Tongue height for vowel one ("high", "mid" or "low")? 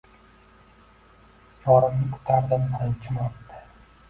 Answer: low